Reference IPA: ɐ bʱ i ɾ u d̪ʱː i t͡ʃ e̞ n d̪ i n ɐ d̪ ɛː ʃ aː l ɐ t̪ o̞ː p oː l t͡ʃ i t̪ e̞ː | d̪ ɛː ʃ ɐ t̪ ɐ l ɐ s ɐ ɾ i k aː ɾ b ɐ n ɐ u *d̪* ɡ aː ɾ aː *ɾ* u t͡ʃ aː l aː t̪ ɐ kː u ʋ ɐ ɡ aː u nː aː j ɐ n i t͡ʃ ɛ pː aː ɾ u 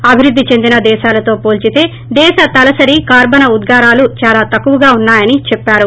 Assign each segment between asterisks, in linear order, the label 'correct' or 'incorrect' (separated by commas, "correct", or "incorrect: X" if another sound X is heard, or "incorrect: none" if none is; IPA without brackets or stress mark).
correct, incorrect: l